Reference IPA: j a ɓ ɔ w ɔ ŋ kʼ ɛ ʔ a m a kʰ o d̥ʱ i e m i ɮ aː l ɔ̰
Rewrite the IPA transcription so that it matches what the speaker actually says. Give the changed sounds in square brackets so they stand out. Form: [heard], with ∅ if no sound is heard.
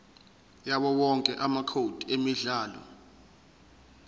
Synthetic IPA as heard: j a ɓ ɔ w ɔ ŋ kʼ ɛ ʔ a m a kʰ o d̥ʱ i e m i ɮ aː l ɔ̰